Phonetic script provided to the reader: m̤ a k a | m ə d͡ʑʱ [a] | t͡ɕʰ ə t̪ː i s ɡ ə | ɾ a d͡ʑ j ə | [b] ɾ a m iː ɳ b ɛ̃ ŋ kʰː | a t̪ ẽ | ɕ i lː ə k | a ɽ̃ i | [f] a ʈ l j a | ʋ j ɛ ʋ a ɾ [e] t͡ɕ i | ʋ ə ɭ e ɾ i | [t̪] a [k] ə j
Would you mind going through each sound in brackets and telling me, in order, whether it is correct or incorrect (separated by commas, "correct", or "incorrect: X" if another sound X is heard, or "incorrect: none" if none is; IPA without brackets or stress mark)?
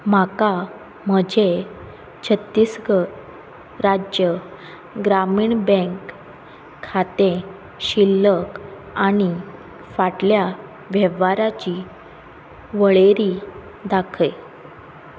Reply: incorrect: e, incorrect: ɡ, correct, incorrect: a, incorrect: d̪, incorrect: kʰ